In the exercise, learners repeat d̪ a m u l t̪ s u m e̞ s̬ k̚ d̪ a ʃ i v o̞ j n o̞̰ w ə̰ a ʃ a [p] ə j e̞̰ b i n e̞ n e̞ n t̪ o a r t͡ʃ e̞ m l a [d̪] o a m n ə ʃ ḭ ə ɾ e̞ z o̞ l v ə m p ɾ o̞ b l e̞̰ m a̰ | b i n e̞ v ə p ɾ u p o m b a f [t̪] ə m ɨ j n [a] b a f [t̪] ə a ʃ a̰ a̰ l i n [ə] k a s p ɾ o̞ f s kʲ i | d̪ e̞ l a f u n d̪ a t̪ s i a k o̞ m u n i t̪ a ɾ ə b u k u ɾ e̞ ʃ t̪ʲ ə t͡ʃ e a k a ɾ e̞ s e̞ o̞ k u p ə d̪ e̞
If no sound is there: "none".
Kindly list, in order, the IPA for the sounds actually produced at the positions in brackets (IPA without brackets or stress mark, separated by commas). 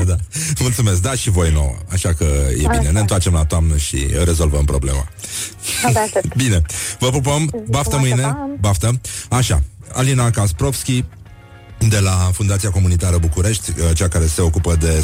k, t̪, t̪, e, t̪, a